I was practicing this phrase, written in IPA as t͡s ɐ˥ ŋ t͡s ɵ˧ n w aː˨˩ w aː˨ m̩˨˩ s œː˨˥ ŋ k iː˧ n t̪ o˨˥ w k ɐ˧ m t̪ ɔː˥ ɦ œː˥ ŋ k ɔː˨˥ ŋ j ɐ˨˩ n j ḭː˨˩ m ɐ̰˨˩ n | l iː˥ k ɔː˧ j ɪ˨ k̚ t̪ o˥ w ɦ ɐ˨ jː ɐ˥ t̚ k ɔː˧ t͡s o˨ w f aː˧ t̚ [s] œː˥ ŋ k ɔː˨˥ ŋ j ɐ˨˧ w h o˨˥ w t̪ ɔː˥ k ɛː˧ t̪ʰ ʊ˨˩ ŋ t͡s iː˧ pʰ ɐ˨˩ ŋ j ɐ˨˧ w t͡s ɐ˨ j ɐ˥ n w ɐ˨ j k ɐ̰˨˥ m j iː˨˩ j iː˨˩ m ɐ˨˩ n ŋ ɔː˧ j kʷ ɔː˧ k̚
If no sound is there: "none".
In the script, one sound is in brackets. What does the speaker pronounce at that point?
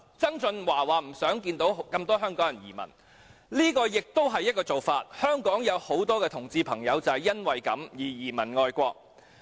h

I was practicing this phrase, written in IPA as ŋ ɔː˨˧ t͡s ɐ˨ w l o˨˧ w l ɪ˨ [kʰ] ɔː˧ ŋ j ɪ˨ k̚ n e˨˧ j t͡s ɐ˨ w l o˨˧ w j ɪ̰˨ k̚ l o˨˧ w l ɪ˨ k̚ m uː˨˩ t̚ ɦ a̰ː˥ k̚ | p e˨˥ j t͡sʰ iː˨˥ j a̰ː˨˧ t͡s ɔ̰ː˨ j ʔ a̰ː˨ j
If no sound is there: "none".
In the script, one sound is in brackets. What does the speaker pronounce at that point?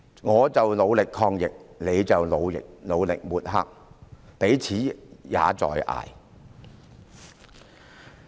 kʰ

